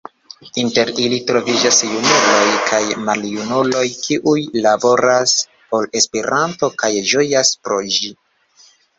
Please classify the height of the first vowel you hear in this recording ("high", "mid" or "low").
high